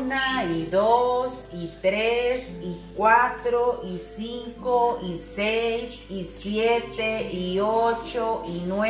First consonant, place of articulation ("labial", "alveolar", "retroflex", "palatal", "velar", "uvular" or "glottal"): alveolar